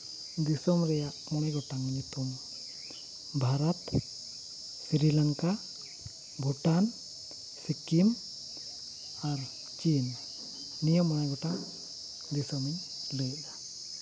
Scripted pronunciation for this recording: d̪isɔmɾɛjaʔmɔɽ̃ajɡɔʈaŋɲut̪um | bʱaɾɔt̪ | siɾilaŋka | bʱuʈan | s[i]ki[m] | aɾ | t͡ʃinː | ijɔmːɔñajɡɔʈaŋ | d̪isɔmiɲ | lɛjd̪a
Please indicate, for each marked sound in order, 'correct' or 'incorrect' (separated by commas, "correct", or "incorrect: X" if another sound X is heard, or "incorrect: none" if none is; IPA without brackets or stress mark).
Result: correct, correct